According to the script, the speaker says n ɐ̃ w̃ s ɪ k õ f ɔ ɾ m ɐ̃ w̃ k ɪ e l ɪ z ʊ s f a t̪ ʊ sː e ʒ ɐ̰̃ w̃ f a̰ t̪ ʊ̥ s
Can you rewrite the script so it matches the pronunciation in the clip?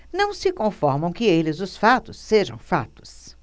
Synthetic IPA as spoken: n ɐ̃ w̃ s ɪ k õ f ɔ ɾ m ɐ̃ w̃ k ɪ e l ɪ z ʊ s f a t̪ ʊ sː e ʒ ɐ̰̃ w̃ f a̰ t̪ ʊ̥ s

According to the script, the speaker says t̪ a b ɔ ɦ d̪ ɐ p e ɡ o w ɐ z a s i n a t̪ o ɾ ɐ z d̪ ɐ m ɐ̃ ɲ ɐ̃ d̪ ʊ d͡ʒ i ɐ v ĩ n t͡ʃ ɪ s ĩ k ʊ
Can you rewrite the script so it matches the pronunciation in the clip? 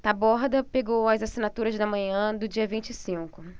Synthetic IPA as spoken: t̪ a b ɔ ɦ d̪ ɐ p e ɡ o w ɐ z a s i n a t̪ u ɾ ɐ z d̪ ɐ m ɐ̃ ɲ ɐ̃ d̪ ʊ d͡ʒ i ɐ v ĩ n t͡ʃ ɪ s ĩ k ʊ

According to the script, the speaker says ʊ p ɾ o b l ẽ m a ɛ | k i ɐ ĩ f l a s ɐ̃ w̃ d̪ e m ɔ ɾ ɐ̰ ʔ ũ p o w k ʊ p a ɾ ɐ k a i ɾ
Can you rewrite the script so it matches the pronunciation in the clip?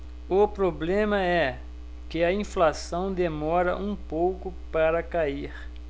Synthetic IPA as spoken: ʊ p ɾ o b l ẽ m ɐ ɛ | k ɪ ɐ ĩ f l a s ɐ̃ w̃ d̪ e m ɔ ɾ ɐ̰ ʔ ũ p o w k ʊ p a ɾ ɐ k a i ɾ

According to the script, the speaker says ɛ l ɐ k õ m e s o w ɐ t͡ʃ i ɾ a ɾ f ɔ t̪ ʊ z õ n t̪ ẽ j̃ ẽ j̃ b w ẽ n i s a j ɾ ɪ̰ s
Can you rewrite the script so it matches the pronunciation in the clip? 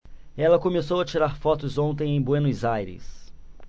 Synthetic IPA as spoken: ɛ l ɐ k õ m e s o w ɐ t͡ʃ i ɾ a ɾ f ɔ t̪ ʊ z õ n t̪ ẽ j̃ ẽ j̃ b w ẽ n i z a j ɾ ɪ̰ s

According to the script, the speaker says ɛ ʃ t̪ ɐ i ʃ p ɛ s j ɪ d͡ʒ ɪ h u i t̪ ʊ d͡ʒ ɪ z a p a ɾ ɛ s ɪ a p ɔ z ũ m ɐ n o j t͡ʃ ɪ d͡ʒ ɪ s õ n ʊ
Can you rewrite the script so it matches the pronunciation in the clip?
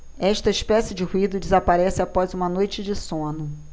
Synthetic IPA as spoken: ɛ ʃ t̪ ɐ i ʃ p ɛ s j ɪ d͡ʒ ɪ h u i d̪ ʊ d͡ʒ ɪ z a p a ɾ ɛ s ɪ a p ɔ z ũ m ɐ n o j t͡ʃ ɪ d͡ʒ ɪ s õ n ʊ

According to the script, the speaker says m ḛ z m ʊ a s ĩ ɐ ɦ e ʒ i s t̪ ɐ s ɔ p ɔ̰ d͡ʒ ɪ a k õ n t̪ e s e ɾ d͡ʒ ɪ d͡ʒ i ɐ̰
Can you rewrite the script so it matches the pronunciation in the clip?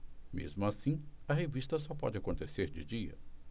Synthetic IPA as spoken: m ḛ z m ʊ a s ĩ ɐ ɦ e v i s t̪ ɐ s ɔ p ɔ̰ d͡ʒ ɪ a k õ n t̪ e s e ɾ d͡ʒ ɪ d͡ʒ i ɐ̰

